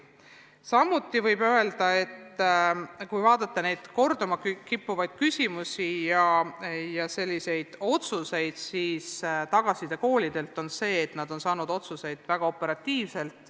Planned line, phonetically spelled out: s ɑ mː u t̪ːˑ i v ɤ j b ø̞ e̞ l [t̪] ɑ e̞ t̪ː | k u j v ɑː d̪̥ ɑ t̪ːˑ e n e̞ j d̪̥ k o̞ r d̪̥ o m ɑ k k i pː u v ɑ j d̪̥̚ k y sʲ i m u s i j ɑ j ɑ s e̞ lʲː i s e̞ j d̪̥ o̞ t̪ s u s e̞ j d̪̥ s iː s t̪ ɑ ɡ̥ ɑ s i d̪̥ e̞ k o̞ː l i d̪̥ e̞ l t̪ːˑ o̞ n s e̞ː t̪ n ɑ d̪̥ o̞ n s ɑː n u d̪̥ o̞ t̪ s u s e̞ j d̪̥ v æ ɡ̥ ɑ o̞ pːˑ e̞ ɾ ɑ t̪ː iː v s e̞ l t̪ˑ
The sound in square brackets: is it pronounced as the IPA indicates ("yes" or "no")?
no